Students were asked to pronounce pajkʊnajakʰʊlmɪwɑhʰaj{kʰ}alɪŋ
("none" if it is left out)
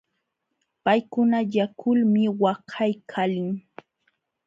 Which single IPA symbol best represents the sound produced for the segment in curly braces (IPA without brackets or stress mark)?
kʰ